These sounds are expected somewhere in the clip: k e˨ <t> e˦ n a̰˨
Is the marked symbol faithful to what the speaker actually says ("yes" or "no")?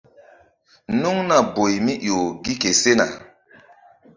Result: no